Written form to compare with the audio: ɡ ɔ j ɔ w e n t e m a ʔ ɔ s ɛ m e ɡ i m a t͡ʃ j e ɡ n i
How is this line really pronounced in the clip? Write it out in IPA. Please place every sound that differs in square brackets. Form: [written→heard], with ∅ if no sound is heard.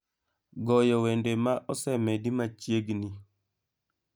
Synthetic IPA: ɡ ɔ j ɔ w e n [t→d] e m a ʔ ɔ s ɛ m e [ɡ→d] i m a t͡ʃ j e ɡ n i